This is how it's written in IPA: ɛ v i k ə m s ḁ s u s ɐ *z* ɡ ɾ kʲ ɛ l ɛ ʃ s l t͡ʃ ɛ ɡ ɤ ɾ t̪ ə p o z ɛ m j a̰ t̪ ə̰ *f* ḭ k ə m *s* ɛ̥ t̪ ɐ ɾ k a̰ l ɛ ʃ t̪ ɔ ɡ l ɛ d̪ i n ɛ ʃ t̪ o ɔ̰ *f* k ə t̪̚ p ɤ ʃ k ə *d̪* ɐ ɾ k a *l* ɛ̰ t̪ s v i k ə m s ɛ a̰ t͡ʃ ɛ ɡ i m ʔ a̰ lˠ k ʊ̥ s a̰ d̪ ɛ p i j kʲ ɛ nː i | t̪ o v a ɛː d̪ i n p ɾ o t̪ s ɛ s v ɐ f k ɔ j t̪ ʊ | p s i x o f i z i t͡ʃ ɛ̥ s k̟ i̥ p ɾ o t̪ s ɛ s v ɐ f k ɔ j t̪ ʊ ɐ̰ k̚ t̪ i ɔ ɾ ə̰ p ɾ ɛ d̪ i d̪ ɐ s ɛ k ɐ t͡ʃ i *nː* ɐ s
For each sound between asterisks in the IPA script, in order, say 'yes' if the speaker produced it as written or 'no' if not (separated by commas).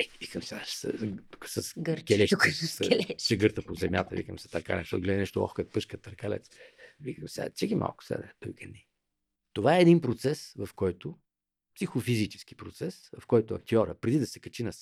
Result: no, no, yes, no, no, yes, no